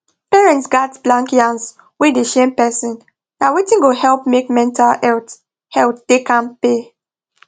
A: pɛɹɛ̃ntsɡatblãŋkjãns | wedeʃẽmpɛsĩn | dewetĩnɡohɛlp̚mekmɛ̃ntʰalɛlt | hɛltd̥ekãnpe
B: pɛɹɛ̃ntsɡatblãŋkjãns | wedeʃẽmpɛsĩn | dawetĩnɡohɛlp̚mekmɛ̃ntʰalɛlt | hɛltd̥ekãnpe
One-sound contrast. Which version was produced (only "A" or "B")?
B